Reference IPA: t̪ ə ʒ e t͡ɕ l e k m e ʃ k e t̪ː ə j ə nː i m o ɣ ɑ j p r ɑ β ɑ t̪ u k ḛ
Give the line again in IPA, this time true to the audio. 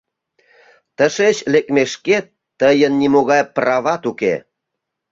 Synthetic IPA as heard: t̪ ə ʃ e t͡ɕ l e k m e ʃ k e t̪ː ə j ə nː i m o ɣ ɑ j p r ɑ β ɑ t̪ u k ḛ